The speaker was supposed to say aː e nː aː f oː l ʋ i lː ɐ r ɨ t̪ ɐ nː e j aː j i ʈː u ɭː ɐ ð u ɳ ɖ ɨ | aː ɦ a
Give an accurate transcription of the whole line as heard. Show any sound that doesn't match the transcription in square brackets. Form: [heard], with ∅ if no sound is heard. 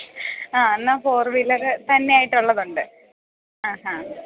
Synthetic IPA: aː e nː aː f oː [r] ʋ i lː ɐ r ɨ t̪ ɐ nː e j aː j i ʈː u ɭː ɐ ð u ɳ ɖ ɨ | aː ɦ a